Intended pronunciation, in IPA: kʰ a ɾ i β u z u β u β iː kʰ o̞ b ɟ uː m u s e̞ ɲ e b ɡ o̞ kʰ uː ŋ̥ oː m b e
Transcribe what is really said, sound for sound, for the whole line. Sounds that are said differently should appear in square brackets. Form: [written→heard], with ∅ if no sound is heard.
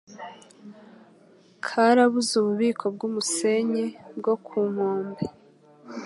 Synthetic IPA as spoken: kʰ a ɾ [i→a] β u z u β u β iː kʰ o̞ b [ɟ→ɡ] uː m u s e̞ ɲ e b ɡ o̞ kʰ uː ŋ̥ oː m b e